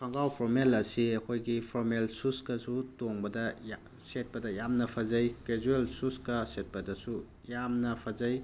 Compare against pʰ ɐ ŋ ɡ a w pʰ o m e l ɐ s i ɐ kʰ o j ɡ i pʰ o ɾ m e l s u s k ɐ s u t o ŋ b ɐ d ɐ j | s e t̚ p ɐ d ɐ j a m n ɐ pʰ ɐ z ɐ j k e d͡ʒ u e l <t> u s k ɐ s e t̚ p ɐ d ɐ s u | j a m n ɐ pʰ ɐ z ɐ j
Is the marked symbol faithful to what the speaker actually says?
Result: no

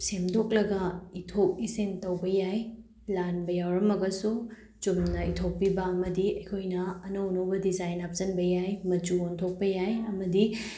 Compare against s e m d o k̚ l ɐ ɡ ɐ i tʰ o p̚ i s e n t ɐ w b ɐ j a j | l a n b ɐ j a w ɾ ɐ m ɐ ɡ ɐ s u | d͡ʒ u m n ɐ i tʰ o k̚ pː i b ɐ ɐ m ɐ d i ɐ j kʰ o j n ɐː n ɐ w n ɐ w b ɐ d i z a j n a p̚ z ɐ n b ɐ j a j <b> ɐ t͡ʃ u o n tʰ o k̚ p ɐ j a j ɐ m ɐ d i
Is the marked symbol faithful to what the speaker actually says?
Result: no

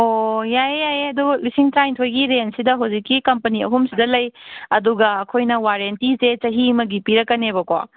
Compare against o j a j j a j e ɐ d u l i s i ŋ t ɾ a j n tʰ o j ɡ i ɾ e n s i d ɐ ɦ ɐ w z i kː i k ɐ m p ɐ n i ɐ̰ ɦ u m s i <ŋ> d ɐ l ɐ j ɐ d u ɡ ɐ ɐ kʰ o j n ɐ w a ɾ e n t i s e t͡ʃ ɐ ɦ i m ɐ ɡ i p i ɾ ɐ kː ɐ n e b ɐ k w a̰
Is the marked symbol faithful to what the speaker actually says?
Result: no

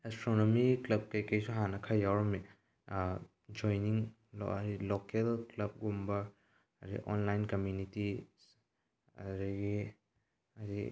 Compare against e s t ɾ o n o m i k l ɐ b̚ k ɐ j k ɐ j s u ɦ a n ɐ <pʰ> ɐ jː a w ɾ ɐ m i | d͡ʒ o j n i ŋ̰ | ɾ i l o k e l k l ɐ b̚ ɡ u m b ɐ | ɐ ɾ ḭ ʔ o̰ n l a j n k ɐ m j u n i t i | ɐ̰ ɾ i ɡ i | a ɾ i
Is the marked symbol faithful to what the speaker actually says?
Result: no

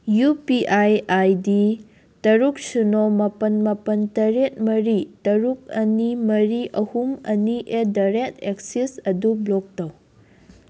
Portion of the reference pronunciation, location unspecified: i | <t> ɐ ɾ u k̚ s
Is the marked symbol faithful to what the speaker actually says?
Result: yes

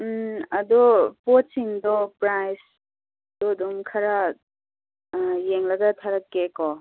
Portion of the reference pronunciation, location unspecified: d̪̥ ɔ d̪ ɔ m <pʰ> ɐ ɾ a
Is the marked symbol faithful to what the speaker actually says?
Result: no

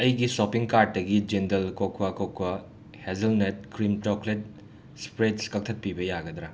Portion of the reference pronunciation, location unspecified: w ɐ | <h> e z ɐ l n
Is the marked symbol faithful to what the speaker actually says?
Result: yes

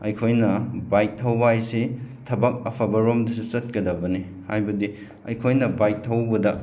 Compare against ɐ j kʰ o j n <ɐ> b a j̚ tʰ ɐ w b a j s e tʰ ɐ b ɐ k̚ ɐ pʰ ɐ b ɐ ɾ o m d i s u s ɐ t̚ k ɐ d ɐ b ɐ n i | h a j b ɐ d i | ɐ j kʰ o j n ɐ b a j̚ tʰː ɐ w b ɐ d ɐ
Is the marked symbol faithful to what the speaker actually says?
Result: yes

